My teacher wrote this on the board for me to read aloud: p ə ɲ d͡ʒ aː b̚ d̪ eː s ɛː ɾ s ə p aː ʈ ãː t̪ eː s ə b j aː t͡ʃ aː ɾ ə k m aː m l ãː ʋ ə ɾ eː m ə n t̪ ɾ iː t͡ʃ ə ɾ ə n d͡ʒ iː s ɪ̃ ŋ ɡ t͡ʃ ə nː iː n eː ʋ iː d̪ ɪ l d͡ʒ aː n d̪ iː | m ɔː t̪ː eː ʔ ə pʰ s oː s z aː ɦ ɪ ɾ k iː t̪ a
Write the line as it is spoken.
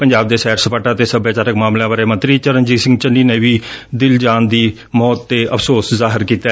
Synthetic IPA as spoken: p ə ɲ d͡ʒ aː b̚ d̪ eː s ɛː ɾ s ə p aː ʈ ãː t̪ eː s ə b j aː t͡ʃ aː ɾ ə k m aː m l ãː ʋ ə ɾ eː m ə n t̪ ɾ iː t͡ʃ ə ɾ ə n d͡ʒ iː s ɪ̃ ŋ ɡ t͡ʃ ə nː iː n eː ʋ iː d̪ ɪ l d͡ʒ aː n d̪ iː | m ɔː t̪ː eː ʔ ə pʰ s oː s z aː ɦ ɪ ɾ k iː t̪ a